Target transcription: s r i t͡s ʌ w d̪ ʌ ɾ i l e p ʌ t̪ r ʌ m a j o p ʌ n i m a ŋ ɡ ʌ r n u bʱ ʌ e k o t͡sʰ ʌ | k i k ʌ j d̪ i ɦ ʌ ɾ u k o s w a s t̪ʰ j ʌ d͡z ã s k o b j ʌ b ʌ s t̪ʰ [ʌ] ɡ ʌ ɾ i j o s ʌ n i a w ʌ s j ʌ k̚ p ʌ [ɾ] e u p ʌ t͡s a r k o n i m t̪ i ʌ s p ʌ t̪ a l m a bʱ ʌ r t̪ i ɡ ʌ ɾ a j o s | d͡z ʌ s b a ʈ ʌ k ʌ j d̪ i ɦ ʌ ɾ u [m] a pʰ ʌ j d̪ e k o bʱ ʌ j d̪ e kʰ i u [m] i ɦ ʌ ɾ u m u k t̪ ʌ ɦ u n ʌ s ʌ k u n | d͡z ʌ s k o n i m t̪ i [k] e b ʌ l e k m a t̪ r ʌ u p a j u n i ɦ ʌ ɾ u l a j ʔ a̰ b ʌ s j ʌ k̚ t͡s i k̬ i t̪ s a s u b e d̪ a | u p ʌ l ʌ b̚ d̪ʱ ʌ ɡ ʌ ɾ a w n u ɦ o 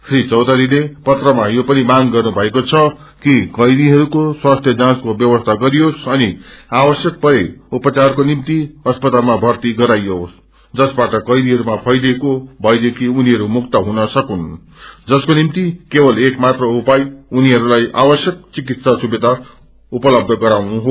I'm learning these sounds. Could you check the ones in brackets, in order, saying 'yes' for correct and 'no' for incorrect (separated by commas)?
no, yes, yes, no, yes